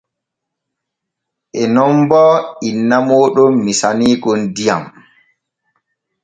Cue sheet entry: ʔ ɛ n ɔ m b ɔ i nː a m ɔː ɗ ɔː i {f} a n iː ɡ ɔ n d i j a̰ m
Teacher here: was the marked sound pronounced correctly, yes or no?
no